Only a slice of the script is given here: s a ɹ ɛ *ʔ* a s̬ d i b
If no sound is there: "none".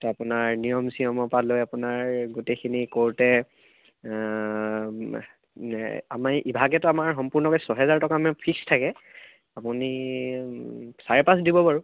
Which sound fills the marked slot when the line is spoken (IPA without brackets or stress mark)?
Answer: p